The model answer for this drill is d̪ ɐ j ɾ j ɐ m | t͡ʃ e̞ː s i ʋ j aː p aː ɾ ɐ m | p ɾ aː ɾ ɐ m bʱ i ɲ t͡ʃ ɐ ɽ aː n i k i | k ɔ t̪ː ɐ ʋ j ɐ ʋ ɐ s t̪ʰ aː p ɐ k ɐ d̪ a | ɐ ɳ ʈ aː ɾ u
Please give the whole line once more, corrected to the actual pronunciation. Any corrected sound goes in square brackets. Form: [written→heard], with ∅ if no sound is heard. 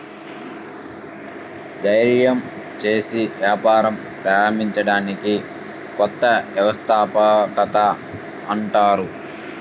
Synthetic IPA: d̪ ɐ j ɾ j ɐ m | t͡ʃ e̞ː s i ʋ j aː p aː ɾ ɐ m | p ɾ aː ɾ ɐ m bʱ i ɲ t͡ʃ ɐ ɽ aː n i k i | k ɔ t̪ː ɐ ʋ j ɐ ʋ ɐ s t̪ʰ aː p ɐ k ɐ [d̪→t̪] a | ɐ ɳ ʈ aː ɾ u

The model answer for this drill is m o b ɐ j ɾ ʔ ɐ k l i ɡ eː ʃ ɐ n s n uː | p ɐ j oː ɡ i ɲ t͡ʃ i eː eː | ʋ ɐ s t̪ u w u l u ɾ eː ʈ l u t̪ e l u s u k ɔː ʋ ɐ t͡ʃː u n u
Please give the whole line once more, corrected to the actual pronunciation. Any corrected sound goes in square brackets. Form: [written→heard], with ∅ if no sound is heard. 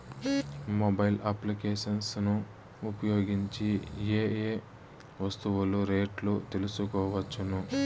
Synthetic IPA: m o b ɐ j [ɾ→l] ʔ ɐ [k→p] l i [ɡ→k] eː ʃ ɐ n s n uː | p ɐ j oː ɡ i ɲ t͡ʃ i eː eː | ʋ ɐ s t̪ u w u l u ɾ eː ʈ l u t̪ e l u s u k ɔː ʋ ɐ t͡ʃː u n u

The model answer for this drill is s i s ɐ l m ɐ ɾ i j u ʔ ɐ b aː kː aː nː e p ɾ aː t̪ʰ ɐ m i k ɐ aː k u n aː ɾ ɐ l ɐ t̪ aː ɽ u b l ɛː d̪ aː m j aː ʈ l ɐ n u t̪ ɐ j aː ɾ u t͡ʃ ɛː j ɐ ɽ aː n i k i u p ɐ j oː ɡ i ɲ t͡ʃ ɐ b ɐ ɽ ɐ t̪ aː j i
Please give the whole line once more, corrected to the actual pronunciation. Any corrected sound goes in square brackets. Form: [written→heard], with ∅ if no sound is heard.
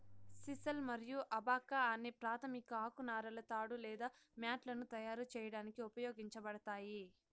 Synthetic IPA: s i s ɐ l m ɐ ɾ i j u ʔ ɐ b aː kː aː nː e p ɾ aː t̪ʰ ɐ m i k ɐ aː k u n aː ɾ ɐ l ɐ t̪ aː ɽ u [b→∅] l ɛː d̪ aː m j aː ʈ l ɐ n u t̪ ɐ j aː ɾ u t͡ʃ ɛː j ɐ ɽ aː n i k i u p ɐ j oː ɡ i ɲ t͡ʃ ɐ b ɐ ɽ ɐ t̪ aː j i

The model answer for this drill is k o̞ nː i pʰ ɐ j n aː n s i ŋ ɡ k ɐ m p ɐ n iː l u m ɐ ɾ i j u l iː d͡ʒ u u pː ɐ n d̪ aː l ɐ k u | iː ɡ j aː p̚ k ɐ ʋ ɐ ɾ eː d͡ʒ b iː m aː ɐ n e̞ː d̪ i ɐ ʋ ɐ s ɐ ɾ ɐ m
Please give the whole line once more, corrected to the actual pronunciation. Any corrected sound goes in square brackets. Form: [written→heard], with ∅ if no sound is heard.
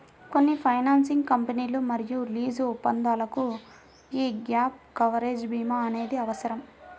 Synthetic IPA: k o̞ nː i pʰ ɐ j n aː n s i ŋ ɡ k ɐ m p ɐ n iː l u m ɐ ɾ i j u l iː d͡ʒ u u pː ɐ n d̪ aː l ɐ k u | iː ɡ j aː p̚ k ɐ ʋ ɐ ɾ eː d͡ʒ b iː m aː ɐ n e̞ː d̪ i ɐ ʋ ɐ s ɐ ɾ ɐ m

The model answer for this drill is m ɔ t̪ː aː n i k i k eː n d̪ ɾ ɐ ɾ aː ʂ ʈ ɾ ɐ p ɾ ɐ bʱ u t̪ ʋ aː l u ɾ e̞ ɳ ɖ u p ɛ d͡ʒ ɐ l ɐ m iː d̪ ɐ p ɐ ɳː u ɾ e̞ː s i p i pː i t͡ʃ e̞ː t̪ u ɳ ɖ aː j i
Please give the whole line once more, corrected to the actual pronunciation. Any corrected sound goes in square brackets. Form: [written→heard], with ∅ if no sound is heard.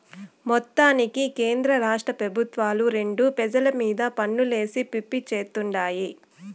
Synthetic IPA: m ɔ t̪ː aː n i k i k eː n d̪ ɾ ɐ ɾ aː ʂ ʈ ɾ ɐ p ɾ ɐ bʱ u t̪ ʋ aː l u ɾ e̞ ɳ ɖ u p ɛ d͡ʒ ɐ l ɐ m iː d̪ ɐ p ɐ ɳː u [ɾ→l] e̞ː s i p i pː i t͡ʃ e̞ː t̪ u ɳ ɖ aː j i

